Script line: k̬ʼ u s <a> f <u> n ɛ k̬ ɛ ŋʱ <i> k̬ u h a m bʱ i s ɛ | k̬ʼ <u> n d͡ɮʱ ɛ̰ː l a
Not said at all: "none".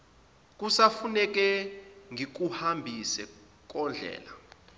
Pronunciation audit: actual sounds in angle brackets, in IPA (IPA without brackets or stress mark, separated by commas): a, u, i, ɔ